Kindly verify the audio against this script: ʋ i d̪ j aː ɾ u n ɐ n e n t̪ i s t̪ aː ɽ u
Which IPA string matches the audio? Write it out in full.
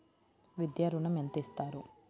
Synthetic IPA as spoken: ʋ i d̪ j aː ɾ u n ɐ m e n t̪ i s t̪ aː ɾ u